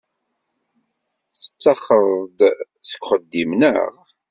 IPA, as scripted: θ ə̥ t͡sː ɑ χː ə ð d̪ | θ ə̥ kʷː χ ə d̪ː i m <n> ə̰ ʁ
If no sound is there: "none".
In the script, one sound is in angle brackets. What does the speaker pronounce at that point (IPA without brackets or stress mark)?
n